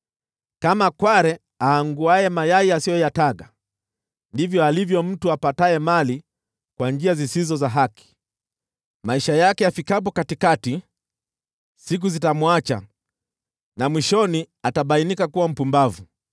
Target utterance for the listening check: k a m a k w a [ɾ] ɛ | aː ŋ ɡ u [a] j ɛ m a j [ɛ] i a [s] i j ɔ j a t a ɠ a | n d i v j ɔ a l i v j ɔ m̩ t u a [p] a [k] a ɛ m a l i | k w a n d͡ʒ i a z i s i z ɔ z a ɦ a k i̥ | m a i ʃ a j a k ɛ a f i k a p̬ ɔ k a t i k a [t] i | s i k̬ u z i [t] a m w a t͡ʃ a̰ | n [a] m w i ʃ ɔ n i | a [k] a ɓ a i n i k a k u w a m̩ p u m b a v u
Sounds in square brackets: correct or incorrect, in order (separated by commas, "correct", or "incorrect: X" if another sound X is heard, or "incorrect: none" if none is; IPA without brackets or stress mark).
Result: correct, correct, incorrect: a, correct, correct, incorrect: t, correct, correct, correct, incorrect: t